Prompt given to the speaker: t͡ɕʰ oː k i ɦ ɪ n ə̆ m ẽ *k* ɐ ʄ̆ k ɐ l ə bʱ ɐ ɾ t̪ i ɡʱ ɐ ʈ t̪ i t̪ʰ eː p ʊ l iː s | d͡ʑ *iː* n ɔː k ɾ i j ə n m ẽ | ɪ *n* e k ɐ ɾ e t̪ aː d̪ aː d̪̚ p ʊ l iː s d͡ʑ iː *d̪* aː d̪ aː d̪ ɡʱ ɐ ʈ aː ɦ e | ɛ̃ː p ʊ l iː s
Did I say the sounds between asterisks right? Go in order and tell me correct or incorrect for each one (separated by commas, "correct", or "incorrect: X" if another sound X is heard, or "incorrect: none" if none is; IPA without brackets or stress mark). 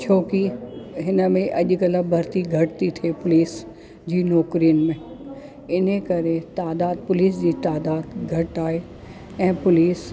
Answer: incorrect: ʔ, correct, correct, incorrect: t̪